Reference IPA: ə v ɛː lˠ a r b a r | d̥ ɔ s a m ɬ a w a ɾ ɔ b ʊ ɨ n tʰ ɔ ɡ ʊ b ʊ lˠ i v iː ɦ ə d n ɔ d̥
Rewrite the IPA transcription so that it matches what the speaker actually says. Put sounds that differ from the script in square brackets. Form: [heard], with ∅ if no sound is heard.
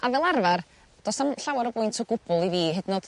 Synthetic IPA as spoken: [a] v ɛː lˠ a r [v] a r | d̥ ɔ s a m ɬ a w a ɾ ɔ b ʊ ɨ n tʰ ɔ ɡ ʊ b ʊ lˠ i v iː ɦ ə d n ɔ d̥